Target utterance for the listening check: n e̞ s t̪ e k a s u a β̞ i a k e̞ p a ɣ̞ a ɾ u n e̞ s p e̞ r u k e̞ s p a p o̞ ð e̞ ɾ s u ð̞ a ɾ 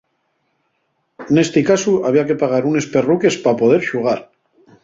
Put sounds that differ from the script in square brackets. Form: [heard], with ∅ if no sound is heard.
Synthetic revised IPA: n e̞ s t̪ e k a s u a β̞ i a k e̞ p a ɣ̞ a ɾ u n e̞ s p e̞ r u k e̞ s p a p o̞ ð e̞ ɾ [ʃ] u [ɣ̞] a ɾ